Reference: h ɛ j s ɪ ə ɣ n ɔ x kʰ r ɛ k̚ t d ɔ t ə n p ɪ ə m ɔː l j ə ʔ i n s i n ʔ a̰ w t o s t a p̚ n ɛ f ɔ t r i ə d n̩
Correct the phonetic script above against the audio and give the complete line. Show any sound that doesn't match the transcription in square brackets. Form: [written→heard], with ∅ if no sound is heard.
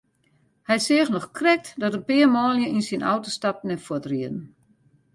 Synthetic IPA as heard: h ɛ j s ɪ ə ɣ n ɔ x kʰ r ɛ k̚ t d ɔ t ə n p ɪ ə m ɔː l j ə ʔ i n s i n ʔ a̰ w t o s t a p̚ n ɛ f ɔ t r i ə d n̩